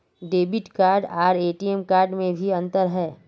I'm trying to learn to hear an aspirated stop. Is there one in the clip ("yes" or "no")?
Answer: no